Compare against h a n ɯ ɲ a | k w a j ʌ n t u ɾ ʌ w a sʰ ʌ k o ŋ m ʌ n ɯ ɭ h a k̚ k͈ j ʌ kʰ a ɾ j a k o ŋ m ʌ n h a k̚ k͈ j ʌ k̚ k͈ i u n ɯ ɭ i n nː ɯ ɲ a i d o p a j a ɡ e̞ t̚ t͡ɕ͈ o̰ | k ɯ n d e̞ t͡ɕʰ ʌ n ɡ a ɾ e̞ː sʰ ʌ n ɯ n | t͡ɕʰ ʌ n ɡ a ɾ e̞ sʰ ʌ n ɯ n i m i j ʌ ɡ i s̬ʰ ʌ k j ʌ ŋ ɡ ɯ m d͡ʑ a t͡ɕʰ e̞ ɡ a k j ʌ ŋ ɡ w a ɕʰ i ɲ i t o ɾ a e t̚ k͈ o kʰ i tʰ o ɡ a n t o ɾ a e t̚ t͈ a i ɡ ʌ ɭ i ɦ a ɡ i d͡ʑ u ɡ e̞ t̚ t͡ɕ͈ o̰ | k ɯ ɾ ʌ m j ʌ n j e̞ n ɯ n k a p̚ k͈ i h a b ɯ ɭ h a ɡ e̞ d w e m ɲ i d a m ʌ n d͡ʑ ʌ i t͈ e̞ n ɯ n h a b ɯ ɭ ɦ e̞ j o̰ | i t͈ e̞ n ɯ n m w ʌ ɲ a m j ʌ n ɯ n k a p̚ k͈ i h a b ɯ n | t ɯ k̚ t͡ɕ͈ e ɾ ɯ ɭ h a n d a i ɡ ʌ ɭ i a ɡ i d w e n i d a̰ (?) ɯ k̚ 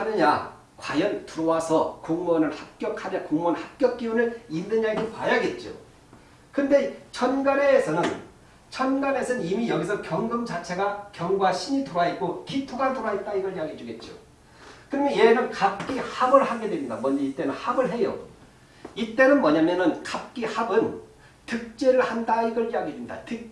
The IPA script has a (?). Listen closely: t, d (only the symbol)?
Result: t